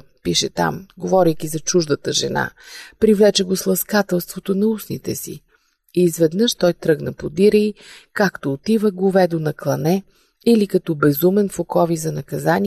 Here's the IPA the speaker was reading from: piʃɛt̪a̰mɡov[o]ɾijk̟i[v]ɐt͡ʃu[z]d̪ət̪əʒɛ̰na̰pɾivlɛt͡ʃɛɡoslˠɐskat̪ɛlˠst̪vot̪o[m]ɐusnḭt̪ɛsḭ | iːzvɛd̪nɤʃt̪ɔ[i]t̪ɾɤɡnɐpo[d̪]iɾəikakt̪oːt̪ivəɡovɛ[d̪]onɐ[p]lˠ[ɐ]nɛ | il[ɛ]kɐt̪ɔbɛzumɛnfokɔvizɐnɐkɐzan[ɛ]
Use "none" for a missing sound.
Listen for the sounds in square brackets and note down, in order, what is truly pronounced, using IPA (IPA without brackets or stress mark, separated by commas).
ɔ, z, ʒ, n, j, d̪, d̪, k, ɐ, i, i